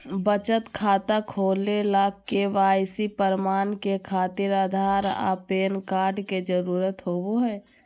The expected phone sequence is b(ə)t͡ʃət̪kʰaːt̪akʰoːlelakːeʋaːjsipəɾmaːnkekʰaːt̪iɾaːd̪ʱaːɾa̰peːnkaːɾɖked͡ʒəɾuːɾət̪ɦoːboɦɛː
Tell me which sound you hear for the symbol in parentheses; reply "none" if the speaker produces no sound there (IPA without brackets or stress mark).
ə